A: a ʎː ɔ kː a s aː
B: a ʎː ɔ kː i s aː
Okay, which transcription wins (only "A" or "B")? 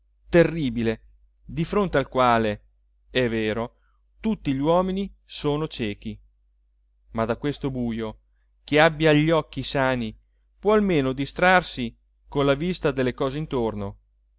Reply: B